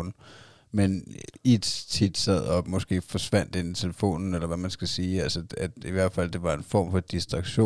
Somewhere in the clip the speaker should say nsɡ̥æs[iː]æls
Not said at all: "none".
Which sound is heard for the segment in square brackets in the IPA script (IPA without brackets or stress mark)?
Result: iː